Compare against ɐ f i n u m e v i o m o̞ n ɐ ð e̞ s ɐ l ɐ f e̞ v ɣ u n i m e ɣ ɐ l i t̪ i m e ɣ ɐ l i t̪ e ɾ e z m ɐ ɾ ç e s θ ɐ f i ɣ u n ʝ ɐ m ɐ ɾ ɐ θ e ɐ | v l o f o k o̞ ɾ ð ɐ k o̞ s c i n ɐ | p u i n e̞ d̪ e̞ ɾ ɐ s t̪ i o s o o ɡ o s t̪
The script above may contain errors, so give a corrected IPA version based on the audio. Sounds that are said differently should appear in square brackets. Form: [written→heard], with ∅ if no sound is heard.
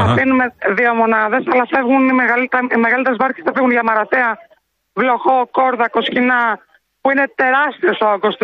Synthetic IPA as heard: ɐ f i n u m e [v→ð] i o m o̞ n ɐ ð e̞ s ɐ l ɐ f e̞ v ɣ u n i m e ɣ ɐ l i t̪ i m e ɣ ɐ l i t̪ e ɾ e z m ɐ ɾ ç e s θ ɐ f i ɣ u n ʝ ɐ m ɐ ɾ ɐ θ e ɐ | v l o [f→x] o k o̞ ɾ ð ɐ k o̞ s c i n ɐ | p u i n e̞ [d̪→t̪] e̞ ɾ ɐ s t̪ i o s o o ɡ o s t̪